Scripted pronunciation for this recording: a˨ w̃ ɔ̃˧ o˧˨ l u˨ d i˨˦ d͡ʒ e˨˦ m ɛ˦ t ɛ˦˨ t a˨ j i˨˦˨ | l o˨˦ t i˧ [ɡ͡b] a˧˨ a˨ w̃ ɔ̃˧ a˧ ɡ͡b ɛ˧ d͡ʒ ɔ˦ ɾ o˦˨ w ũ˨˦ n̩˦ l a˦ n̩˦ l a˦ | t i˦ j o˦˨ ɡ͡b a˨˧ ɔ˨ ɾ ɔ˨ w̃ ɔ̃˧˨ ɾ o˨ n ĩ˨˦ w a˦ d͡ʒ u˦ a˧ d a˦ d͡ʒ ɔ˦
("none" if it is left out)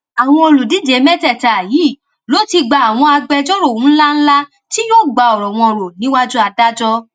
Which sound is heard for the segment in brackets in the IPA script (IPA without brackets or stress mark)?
ɡ͡b